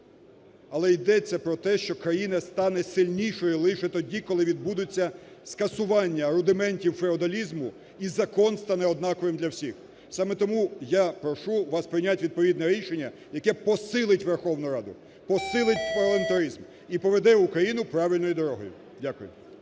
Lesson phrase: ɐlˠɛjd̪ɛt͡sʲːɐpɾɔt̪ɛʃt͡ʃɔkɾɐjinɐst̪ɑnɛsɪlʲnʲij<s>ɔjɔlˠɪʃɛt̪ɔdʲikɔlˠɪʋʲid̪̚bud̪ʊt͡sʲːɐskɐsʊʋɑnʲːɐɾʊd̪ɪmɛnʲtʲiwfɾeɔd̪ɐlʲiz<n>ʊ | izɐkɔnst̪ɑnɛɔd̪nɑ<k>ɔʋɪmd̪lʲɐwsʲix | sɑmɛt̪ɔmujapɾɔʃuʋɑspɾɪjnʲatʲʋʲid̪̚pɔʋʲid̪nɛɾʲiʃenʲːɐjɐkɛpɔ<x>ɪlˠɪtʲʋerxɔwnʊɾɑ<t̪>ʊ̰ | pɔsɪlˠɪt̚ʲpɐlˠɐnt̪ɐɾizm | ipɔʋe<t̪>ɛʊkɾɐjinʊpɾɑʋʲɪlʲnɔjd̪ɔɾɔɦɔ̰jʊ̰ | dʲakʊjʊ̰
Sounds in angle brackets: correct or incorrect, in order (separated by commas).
incorrect, incorrect, correct, incorrect, incorrect, incorrect